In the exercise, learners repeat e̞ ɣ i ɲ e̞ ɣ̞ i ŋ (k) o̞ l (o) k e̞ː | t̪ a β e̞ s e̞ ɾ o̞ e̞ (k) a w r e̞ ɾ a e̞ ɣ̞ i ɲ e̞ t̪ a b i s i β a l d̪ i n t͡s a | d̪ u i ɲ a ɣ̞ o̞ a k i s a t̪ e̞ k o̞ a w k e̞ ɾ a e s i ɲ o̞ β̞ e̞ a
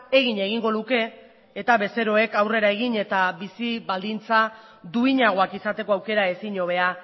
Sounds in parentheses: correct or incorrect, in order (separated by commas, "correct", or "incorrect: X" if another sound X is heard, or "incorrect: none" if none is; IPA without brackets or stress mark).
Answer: incorrect: ɡ, incorrect: u, correct